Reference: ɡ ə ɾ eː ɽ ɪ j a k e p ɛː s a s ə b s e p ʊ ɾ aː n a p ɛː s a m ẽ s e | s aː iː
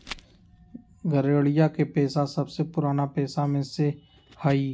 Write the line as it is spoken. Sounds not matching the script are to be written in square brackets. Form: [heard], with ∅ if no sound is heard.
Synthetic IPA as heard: ɡ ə ɾ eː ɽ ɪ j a k e p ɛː s a s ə b s e p ʊ ɾ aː n a p ɛː s a m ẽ s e | [h] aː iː